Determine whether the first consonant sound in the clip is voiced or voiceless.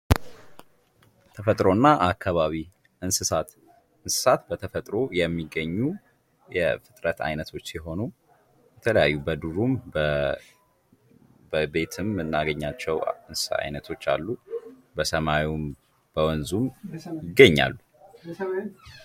voiceless